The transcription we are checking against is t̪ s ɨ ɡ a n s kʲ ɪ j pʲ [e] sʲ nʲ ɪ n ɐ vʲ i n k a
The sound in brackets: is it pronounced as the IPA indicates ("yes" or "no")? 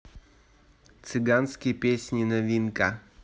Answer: yes